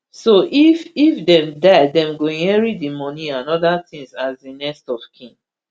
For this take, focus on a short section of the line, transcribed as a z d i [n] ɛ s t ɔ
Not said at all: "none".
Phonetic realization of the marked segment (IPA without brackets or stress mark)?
n